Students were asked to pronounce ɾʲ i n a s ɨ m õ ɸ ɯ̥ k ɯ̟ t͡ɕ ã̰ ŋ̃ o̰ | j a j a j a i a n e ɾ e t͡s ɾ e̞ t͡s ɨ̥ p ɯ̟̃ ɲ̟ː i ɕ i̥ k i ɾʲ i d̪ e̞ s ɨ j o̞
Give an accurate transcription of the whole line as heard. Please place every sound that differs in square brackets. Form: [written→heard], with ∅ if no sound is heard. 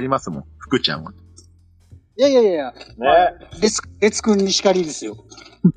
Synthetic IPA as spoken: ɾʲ i [n→m] a s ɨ m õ ɸ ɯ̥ k ɯ̟ t͡ɕ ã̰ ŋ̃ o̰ | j a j a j a [i→j] a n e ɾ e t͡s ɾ e̞ t͡s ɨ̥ [p→k] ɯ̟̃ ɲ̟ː i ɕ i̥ k [i→a] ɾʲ i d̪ e̞ s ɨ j o̞